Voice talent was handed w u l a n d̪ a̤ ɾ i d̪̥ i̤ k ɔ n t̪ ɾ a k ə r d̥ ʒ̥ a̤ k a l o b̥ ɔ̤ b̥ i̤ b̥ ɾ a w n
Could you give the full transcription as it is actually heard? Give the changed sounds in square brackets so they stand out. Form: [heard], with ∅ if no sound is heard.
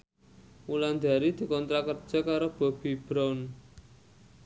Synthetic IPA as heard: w u l a n d̪ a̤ ɾ i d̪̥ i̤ k ɔ n t̪ ɾ a k ə r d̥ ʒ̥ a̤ k a [ɾ] o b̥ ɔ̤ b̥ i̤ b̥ ɾ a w n

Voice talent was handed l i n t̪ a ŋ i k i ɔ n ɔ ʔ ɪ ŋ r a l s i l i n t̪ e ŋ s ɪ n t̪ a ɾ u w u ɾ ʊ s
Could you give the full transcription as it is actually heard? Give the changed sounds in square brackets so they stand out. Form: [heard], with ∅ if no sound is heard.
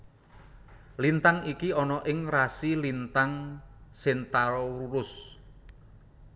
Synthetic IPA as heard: l i n t̪ a ŋ i k i ɔ n ɔ ʔ ɪ ŋ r a [∅] s i l i n t̪ [a] ŋ s ɪ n t̪ a ɾ [ɔ] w u ɾ ʊ s

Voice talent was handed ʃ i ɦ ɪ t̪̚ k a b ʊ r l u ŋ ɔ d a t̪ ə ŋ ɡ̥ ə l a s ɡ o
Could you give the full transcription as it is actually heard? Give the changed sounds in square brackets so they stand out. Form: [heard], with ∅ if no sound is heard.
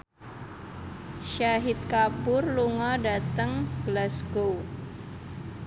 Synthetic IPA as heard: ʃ [a] ɦ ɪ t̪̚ k a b ʊ r l u ŋ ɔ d a t̪ ə ŋ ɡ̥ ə l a s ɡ o

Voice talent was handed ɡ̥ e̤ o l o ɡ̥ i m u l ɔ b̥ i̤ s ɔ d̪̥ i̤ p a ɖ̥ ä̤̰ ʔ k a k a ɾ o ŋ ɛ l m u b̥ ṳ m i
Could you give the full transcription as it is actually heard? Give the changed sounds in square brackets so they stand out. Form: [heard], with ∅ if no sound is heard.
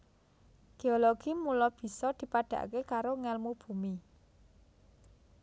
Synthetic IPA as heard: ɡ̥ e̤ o l o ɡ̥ i m u l ɔ b̥ i̤ s ɔ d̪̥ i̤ p a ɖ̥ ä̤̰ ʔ k [e] k a ɾ o ŋ ɛ l m u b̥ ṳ m i

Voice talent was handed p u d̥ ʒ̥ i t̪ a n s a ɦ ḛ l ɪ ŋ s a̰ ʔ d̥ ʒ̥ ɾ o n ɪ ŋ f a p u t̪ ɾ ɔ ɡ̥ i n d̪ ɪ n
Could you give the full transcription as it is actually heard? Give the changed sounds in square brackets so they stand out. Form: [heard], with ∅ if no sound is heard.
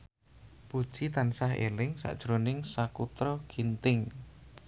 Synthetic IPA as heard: p u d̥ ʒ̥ i t̪ a n s a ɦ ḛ l ɪ ŋ s a̰ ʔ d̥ ʒ̥ ɾ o n ɪ ŋ [s] a [k] u t̪ ɾ ɔ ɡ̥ i n [t̪] ɪ [ŋ]

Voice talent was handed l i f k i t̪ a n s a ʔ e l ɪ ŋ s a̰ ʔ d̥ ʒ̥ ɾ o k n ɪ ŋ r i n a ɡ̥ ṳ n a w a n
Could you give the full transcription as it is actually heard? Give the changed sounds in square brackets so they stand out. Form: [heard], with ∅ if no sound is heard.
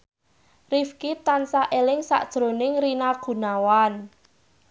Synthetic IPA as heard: [r] i f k i t̪ a n s a ʔ e l ɪ ŋ s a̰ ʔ d̥ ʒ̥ ɾ o [∅] n ɪ ŋ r i n a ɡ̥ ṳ n a w a n

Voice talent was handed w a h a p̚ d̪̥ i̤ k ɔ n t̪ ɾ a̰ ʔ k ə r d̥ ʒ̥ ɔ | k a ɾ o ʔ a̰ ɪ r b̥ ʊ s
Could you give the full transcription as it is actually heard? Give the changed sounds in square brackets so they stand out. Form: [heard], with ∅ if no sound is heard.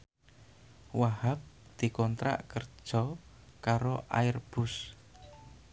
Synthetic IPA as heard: w a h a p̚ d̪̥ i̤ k ɔ n t̪ ɾ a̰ ʔ k ə r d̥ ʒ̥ ɔ | k a ɾ o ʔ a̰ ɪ r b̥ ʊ s

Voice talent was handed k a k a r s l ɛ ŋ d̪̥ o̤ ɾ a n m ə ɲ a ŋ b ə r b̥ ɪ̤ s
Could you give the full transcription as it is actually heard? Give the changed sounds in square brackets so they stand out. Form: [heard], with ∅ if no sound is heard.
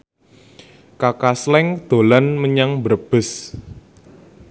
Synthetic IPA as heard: k a k a [∅] s l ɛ ŋ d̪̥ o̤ [l] a n m ə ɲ a ŋ b ə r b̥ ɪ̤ s

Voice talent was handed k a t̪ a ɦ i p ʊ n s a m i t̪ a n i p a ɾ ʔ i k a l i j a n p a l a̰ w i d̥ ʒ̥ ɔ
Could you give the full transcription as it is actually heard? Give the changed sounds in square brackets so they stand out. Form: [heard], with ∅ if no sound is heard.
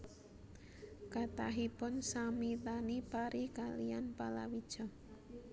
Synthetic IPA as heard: k a t̪ a ɦ i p ʊ n s a m i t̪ a n i p a ɾ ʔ i k a l i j a n p a l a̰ w i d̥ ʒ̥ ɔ

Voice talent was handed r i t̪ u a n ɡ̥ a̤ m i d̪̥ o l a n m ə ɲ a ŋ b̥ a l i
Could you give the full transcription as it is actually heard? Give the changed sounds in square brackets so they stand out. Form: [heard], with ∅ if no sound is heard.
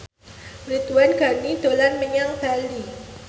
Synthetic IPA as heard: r i t̪ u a n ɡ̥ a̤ [n] i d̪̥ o l a n m ə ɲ a ŋ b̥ a l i

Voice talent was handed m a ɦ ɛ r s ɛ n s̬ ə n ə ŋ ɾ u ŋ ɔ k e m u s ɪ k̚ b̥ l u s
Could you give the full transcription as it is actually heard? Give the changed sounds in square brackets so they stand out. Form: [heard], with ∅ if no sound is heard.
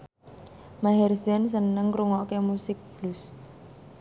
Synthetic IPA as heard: m a ɦ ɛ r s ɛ n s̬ ə n ə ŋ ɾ u ŋ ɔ k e m u s ɪ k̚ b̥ l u s

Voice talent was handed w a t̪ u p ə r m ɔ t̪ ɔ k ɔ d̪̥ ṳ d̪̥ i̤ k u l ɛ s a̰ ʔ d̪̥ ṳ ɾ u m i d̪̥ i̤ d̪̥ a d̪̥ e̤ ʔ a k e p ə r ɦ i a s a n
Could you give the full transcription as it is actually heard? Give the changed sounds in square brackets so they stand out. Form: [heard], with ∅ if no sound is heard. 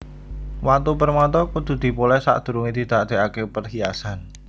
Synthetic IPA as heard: w a t̪ u p ə r m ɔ t̪ ɔ k [u] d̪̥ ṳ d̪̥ i̤ [p] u l ɛ s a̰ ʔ d̪̥ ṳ ɾ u [ŋ] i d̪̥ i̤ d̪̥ a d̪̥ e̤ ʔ a k e p ə r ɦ i a s a n

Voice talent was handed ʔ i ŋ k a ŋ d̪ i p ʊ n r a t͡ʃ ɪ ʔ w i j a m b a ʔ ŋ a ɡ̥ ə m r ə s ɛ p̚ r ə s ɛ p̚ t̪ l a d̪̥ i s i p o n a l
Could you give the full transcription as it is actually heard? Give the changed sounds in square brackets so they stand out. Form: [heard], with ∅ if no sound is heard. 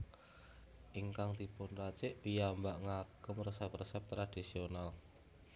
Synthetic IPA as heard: ʔ i ŋ k a ŋ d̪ i p ʊ n r a t͡ʃ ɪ ʔ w i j a m b a ʔ ŋ a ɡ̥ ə m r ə s ɛ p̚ r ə s ɛ p̚ t̪ [ɾ] a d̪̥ i s i [∅] o n a l

